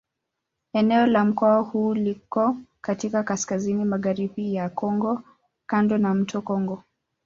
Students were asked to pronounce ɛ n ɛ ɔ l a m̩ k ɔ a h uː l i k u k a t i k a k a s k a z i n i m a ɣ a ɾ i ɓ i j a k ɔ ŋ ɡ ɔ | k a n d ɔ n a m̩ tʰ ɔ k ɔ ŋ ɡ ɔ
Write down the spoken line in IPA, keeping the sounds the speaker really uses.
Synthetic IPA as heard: ɛ n ɛ ɔ l a m̩ k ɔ a h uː l i k ɔ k a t i k a k a s k a z i n i m a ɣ a ɾ i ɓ i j a k ɔ ŋ ɡ ɔ | k a n d ɔ n a m̩ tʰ ɔ k ɔ ŋ ɡ ɔ